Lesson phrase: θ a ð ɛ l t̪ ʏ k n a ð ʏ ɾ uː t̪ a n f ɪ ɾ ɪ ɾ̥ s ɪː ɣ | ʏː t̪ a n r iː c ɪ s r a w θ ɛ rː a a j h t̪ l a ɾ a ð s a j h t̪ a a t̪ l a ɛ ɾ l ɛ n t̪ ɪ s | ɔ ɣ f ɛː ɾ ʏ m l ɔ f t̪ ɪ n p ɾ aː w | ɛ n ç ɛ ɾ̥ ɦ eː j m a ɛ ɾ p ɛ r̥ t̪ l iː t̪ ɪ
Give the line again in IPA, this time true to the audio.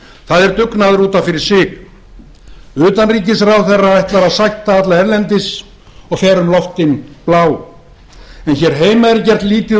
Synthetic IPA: θ a ð ɛ ɾ t̪ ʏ k n a ð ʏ ɾ uː t̪ a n f ɪ ɾ ɪ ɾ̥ s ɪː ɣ | ʏː t̪ a n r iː c ɪ s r a w θ ɛ rː a a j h t̪ l a ɾ a ð s a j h t̪ a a t̪ l a ɛ ɾ l ɛ n t̪ ɪ s | ɔ ɣ f ɛː ɾ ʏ m l ɔ f t̪ ɪ n p l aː w | ɛ n ç ɛ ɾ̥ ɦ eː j m a ɛ ɾ c ɛ r̥ t̪ l iː t̪ ɪ